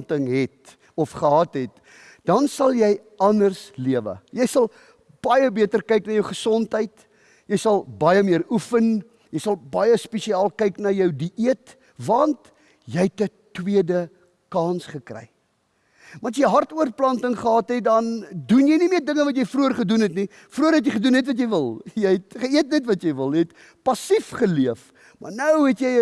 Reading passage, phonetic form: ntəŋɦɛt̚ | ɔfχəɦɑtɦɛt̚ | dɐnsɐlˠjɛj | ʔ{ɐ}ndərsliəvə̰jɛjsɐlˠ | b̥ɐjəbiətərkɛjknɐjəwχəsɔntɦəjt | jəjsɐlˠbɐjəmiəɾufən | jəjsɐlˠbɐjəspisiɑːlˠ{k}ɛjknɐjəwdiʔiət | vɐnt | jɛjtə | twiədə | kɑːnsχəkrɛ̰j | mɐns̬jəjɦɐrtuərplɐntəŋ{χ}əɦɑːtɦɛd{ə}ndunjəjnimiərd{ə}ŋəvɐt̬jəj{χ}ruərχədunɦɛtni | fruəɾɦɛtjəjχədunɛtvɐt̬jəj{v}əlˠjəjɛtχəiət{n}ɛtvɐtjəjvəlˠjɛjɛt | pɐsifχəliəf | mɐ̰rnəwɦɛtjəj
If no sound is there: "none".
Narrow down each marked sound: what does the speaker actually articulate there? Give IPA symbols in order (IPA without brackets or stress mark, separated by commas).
ɐ, k, χ, ɐ, ə, f, v, n